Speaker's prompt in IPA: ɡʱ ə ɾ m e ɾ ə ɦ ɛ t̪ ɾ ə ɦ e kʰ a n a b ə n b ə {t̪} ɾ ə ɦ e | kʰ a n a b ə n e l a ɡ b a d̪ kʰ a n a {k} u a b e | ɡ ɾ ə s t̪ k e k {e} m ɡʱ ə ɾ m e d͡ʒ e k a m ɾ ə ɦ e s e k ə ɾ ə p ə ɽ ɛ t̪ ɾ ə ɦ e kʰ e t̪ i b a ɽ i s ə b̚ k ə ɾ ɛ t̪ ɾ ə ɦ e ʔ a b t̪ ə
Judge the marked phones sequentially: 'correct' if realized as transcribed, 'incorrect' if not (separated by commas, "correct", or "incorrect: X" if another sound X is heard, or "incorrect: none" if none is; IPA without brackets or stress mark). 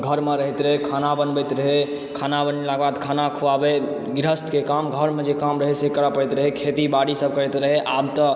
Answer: correct, incorrect: kʰ, incorrect: a